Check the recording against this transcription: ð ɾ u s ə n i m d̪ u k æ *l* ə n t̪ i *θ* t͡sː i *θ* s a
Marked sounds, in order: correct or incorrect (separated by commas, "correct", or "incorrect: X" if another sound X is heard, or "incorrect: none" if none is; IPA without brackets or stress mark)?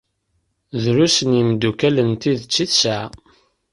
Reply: correct, incorrect: ð, correct